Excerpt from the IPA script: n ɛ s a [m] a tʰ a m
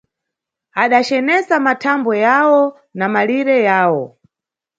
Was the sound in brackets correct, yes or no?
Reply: yes